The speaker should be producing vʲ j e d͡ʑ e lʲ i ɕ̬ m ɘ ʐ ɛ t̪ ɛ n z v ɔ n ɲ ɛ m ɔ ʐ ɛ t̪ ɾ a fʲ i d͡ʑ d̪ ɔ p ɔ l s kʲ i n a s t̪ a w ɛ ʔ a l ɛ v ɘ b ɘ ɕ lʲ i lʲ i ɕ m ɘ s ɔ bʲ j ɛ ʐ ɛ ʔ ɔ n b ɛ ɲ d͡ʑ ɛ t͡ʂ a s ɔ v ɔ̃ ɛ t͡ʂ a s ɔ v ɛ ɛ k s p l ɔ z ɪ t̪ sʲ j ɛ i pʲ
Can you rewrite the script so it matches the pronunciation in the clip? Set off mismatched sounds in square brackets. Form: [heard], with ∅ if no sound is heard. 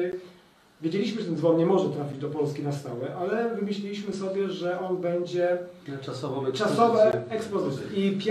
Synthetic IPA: vʲ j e d͡ʑ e lʲ i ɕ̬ m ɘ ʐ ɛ t̪ ɛ n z v ɔ n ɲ ɛ m ɔ ʐ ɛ t̪ ɾ a fʲ i d͡ʑ d̪ ɔ p ɔ l s kʲ i n a s t̪ a w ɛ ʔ a l ɛ v ɘ [m] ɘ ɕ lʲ i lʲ i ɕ m ɘ s ɔ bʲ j ɛ ʐ ɛ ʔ ɔ n b ɛ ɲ d͡ʑ ɛ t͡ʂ a s ɔ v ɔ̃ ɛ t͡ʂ a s ɔ v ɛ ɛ k s p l ɔ z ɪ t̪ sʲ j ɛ i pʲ